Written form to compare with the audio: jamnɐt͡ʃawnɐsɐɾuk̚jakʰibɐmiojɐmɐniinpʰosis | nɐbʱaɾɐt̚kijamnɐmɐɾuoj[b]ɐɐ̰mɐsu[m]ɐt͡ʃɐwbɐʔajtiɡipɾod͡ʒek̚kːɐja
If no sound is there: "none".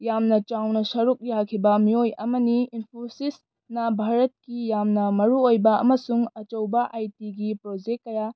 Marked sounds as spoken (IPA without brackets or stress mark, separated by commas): b, ŋ